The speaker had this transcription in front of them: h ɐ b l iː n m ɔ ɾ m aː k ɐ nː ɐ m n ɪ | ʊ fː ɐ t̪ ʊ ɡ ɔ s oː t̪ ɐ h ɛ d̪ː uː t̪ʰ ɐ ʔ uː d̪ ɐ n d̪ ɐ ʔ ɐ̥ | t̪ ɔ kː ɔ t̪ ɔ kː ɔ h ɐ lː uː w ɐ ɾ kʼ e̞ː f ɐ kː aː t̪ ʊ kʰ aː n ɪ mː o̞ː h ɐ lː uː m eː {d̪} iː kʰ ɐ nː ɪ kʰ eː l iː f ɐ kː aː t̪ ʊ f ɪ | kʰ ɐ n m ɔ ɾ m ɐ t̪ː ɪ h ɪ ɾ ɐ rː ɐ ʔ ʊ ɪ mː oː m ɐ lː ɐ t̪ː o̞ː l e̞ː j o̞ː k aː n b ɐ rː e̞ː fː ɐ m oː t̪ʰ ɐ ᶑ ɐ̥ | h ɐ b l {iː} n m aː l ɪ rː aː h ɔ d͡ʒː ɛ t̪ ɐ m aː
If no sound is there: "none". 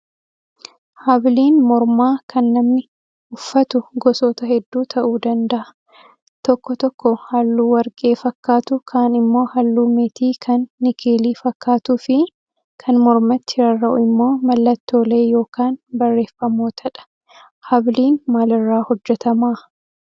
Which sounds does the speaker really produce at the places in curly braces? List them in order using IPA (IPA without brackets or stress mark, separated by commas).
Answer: t̪, iː